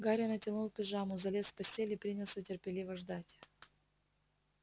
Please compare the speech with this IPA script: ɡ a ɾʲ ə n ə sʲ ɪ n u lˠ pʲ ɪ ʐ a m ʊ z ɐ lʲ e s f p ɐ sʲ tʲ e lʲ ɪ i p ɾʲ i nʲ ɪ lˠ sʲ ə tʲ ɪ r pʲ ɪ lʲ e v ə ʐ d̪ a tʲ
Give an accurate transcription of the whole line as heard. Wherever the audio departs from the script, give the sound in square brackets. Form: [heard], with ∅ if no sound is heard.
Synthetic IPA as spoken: ɡ a ɾʲ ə n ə [tʲ] ɪ n u lˠ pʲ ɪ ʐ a m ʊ z ɐ lʲ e s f p ɐ sʲ tʲ e lʲ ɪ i p ɾʲ i nʲ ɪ lˠ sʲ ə tʲ ɪ r pʲ ɪ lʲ [i] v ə ʐ d̪ a tʲ